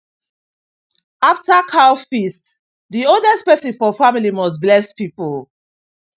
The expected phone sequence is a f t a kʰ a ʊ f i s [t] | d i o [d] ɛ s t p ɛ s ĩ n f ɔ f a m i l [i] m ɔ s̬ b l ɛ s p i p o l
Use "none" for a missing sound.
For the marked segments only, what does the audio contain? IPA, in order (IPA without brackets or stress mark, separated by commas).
t, d, i